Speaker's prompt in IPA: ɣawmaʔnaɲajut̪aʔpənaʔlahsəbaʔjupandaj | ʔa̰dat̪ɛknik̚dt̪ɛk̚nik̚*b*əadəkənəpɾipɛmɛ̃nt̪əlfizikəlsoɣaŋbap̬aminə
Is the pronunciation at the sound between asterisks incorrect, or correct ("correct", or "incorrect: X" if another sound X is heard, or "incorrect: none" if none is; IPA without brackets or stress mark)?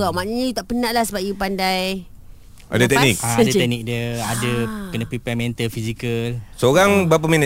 incorrect: d